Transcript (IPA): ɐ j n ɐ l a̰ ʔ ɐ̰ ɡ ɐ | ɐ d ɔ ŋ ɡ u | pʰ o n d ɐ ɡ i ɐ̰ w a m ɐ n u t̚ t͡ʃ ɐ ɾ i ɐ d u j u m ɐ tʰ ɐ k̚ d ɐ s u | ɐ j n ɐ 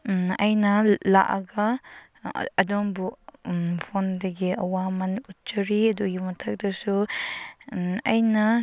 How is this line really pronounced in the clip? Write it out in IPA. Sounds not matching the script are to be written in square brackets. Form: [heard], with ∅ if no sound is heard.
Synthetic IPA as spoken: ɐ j n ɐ l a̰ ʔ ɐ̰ ɡ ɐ | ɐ d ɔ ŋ [b] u | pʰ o n d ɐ ɡ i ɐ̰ w a m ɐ n u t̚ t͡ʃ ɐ ɾ i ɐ d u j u m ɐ tʰ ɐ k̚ d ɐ s u | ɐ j n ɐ